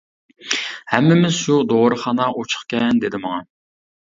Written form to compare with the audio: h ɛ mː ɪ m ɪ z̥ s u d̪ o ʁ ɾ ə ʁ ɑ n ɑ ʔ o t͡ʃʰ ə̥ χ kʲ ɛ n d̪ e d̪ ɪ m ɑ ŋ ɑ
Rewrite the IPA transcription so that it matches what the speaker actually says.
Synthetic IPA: h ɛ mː ɪ m ɪ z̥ ʃ u d̪ o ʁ ɾ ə χ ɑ n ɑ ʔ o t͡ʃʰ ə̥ χ kʲ ɛ n d̪ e d̪ ɪ m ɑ ŋ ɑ

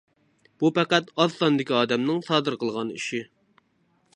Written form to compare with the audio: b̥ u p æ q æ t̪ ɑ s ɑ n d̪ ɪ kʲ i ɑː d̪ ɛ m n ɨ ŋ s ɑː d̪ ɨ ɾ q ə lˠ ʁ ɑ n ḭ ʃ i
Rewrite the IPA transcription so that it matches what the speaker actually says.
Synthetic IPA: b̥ u p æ q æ t̪ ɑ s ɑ n d̪ ɪ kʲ i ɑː d̪ ɛ m n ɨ ŋ s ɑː d̪ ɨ ɾ q ə lˠ ʁ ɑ n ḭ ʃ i

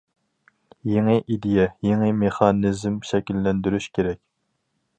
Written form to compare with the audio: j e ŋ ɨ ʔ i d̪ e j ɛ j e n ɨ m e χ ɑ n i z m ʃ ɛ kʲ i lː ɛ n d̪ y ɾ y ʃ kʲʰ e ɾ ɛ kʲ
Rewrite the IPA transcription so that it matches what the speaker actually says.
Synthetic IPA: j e ŋ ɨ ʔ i d̪ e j ɛ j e ŋ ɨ m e χ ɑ n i z m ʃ ɛ kʲ i lː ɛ n d̪ y ɾ y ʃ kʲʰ e ɾ ɛ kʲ

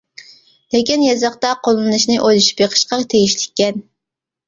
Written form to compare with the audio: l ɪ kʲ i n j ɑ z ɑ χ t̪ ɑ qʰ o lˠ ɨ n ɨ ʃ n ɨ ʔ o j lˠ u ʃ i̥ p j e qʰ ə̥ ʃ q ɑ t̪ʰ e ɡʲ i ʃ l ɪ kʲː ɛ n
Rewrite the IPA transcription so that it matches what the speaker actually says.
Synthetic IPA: l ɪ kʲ i n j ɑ z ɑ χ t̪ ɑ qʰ o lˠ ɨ n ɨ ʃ n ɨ ʔ o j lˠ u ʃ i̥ p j e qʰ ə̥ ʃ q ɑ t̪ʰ e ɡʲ i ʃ l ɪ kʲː ɛ n

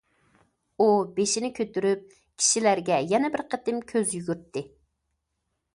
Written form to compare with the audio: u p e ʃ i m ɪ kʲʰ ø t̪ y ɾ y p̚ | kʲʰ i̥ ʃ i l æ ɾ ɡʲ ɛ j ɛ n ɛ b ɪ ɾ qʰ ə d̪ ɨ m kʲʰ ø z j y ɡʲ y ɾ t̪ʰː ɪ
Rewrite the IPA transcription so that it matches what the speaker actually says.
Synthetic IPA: u b e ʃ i n ɪ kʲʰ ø t̪ y ɾ y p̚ | kʲʰ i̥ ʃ i l æ ɾ ɡʲ ɛ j ɛ n ɛ b ɪ ɾ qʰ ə t̪ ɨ m kʲʰ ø z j y ɡʲ y ɾ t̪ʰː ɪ

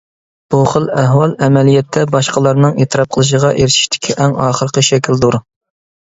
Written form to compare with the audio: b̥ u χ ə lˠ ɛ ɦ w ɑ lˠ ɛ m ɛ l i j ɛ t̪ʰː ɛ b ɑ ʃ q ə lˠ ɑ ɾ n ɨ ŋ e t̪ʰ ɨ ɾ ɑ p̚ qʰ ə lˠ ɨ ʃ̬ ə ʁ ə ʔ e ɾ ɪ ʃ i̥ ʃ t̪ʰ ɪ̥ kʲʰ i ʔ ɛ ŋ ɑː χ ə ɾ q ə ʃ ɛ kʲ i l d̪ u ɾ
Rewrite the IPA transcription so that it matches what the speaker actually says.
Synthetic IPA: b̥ u χ ə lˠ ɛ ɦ w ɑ lˠ ɛ m ɛ l i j ɛ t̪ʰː ɛ b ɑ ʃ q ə lˠ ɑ ɾ n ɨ ŋ e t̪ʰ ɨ ɾ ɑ p̚ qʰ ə lˠ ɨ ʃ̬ ə ʁ ɑ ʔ e ɾ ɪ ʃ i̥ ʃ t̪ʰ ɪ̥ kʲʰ i ʔ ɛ ŋ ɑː χ ə ɾ q ə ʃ ɛ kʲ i l d̪ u ɾ

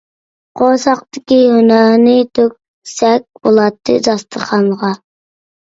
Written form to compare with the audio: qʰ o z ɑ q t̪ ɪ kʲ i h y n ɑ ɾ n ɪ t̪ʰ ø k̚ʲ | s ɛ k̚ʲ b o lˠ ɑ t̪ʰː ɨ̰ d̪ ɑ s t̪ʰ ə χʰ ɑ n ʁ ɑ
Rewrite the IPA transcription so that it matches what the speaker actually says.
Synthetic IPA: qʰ o s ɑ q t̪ ɪ kʲ i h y n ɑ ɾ n ɪ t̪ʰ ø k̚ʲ | s ɛ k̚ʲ b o lˠ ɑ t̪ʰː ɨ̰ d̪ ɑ s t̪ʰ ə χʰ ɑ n ʁ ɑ

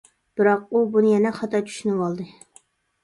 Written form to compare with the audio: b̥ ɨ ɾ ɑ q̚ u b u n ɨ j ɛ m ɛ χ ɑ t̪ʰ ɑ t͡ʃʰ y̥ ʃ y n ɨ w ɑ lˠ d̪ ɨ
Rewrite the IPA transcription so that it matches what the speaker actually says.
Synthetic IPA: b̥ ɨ ɾ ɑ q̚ u b u n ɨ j ɛ n ɛ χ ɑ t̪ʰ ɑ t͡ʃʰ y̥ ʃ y n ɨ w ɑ lˠ d̪ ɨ

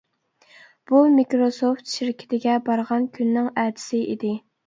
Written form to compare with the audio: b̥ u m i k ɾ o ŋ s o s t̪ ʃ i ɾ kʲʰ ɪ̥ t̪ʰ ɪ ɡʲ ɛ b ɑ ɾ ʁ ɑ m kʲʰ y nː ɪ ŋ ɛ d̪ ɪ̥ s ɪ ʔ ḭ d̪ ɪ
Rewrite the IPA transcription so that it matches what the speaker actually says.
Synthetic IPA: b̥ u m i k ɾ o s o f t̪ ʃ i ɾ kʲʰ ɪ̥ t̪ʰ ɪ ɡʲ ɛ b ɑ ɾ ʁ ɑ n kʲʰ y nː ɪ ŋ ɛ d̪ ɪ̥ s ɪ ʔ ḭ d̪ ɪ

